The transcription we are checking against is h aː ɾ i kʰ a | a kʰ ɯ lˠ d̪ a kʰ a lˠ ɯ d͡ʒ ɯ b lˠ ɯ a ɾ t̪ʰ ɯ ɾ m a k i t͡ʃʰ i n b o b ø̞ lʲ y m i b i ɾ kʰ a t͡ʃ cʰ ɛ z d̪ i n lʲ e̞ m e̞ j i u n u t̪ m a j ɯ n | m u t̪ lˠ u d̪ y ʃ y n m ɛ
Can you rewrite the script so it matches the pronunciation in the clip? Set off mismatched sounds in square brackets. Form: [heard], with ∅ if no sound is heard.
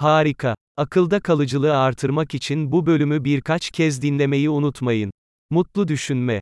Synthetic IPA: h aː ɾ i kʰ a | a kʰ ɯ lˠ d̪ a kʰ a lˠ ɯ d͡ʒ ɯ [∅] lˠ ɯ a ɾ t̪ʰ ɯ ɾ m a k i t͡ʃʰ i n b [u] b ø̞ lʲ y m [y] b i ɾ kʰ a t͡ʃ cʰ ɛ z d̪ i n lʲ e̞ m e̞ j i u n u t̪ m a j ɯ n | m u t̪ lˠ u d̪ y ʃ y n m ɛ